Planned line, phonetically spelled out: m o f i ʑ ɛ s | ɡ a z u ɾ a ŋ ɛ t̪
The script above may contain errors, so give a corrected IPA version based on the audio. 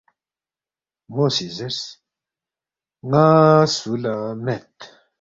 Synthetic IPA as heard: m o s i z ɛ s | ŋ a s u l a m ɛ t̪